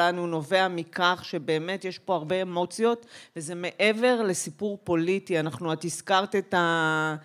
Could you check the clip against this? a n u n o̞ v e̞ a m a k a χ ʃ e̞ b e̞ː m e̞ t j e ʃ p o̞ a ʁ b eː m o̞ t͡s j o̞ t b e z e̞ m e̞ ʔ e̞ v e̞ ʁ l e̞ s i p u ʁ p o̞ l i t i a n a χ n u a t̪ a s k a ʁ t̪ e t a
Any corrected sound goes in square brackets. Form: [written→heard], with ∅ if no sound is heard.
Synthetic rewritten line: a n u n o̞ v e̞ a m [a→i] k a χ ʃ e̞ b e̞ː m e̞ t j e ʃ p o̞ a ʁ b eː m o̞ t͡s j o̞ t [b→v] e z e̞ m e̞ ʔ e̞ v e̞ ʁ l e̞ s i p u ʁ p o̞ l i t i a n a χ n u a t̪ [a→i] s k a ʁ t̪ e t a